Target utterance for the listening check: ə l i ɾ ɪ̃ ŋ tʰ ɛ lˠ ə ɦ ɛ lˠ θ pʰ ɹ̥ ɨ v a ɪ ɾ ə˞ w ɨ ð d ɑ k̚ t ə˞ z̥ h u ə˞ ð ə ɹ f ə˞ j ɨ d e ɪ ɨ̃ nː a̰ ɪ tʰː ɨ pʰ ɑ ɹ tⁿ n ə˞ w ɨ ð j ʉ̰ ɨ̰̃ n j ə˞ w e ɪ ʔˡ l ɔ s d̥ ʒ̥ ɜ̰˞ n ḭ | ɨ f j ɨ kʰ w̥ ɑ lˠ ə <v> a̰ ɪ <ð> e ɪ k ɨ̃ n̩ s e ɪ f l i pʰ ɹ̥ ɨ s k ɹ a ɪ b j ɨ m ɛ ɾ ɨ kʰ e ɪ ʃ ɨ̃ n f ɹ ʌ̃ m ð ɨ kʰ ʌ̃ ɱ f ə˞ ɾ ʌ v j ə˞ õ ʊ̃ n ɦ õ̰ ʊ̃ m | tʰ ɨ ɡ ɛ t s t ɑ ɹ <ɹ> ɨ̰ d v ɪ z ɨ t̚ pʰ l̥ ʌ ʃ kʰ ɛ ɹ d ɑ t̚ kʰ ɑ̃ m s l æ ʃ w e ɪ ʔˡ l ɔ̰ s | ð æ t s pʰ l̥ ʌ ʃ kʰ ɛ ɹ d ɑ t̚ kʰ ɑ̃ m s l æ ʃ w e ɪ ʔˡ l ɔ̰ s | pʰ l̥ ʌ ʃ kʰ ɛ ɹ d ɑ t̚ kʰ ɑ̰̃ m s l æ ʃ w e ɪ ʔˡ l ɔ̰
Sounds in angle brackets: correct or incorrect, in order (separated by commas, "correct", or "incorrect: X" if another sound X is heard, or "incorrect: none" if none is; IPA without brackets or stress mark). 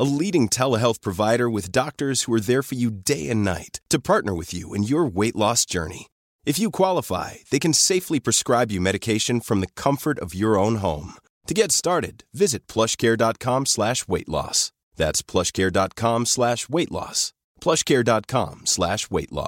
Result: incorrect: f, correct, incorrect: ɾ